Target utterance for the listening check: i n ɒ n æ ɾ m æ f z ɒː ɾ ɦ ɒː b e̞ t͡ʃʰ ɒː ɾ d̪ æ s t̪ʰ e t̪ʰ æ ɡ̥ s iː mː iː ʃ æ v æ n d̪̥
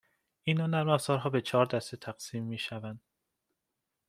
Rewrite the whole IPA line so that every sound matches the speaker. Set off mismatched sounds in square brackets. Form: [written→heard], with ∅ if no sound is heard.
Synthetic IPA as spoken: i n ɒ n æ ɾ m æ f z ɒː ɾ ɦ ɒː b e̞ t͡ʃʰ ɒː ɾ d̪ æ s [t̪ʰ→t̪] e t̪ʰ æ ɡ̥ s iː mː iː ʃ æ v æ n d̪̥